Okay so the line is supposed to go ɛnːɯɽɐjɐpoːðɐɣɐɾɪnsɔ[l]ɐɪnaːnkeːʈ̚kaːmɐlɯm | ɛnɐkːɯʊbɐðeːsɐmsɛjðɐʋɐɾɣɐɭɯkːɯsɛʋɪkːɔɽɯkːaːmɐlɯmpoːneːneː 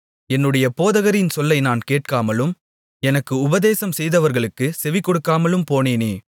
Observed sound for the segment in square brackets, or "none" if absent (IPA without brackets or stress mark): lː